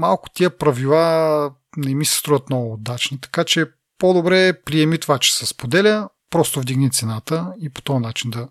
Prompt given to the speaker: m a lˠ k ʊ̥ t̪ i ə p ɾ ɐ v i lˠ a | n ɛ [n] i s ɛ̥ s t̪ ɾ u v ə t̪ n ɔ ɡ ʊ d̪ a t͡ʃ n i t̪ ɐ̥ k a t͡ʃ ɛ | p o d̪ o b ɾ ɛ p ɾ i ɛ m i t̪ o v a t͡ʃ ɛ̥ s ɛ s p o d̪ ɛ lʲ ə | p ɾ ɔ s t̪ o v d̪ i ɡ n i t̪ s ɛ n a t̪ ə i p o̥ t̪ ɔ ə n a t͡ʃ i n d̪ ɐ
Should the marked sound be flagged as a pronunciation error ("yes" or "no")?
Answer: yes